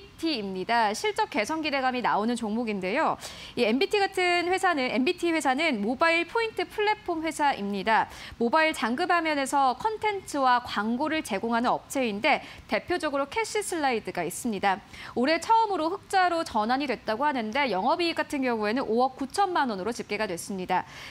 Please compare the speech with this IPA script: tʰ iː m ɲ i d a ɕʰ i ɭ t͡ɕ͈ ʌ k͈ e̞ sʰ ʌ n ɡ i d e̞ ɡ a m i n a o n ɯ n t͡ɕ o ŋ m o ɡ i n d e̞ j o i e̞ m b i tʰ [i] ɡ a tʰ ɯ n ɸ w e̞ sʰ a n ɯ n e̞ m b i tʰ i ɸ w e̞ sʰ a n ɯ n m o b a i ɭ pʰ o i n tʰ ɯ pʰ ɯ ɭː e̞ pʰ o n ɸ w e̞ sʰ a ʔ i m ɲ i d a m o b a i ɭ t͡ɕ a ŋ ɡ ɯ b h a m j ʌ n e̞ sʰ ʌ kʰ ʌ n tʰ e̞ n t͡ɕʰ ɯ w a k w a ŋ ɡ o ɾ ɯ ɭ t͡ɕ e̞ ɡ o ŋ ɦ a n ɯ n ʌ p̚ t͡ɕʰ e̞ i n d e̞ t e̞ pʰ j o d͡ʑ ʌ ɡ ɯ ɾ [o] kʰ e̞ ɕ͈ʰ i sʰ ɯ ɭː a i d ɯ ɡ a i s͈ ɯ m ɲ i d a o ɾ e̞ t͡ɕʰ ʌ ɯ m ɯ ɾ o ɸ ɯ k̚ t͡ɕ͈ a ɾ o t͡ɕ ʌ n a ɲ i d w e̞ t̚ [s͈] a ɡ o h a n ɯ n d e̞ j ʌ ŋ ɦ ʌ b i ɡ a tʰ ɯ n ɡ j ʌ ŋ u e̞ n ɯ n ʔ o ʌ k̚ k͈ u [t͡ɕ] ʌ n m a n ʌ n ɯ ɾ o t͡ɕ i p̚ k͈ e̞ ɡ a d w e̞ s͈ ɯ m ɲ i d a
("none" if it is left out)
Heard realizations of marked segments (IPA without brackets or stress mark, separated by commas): i, o, t͈, t͡ɕʰ